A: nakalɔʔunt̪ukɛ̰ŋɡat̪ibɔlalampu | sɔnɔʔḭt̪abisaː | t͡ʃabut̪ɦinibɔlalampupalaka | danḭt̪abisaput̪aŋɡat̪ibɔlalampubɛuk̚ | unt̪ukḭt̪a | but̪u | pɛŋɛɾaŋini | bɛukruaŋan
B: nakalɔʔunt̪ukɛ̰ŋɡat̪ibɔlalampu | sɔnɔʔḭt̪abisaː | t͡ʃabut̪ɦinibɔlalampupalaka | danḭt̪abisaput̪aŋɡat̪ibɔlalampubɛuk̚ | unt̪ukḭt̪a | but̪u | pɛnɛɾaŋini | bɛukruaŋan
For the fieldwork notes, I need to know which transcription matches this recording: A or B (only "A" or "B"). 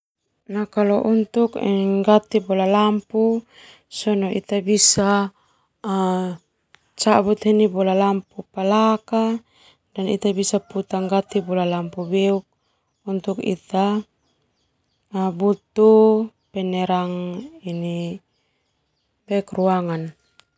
B